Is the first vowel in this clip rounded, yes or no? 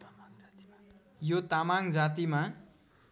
yes